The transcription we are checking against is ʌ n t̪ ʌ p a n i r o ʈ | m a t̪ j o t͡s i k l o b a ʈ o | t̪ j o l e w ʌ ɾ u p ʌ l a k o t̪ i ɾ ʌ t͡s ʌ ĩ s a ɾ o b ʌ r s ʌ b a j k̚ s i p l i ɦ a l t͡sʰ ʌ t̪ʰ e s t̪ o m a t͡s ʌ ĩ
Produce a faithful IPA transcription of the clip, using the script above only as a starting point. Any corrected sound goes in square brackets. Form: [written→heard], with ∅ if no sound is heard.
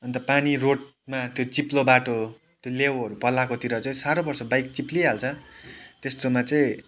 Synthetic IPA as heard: ʌ n t̪ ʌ p a n i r o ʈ | m a t̪ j o t͡s i [k→p] l o b a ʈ o | t̪ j o l e w ʌ ɾ u p ʌ l a k o t̪ i ɾ ʌ t͡s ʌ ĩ s a ɾ o b ʌ r s ʌ b a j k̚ [s→t͡s] i p l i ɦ a l t͡sʰ ʌ [t̪ʰ→t̪] e s t̪ o m a t͡s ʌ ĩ